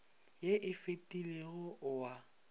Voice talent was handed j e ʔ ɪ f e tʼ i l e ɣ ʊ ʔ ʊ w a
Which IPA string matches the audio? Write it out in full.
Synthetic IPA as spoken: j e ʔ ɪ f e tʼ i l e ɣ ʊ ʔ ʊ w a